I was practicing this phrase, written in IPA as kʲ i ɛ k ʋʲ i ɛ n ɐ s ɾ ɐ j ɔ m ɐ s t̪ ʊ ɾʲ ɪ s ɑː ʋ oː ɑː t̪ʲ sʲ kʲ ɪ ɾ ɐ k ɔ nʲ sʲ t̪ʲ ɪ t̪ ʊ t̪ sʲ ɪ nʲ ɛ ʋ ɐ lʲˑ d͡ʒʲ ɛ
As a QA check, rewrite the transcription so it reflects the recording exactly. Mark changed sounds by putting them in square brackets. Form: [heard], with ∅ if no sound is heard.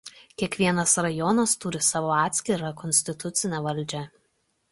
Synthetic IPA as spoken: kʲ i ɛ k ʋʲ i ɛ n ɐ s ɾ ɐ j ɔ [n] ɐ s t̪ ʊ ɾʲ ɪ s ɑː ʋ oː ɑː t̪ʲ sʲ kʲ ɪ ɾ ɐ k ɔ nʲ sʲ t̪ʲ ɪ t̪ ʊ t̪ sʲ ɪ nʲ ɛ ʋ ɐ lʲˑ d͡ʒʲ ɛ